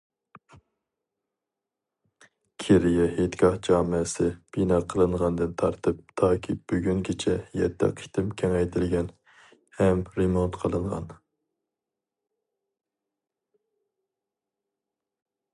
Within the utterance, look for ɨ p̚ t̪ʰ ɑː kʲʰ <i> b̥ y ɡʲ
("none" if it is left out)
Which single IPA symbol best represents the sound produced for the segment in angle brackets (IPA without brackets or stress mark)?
i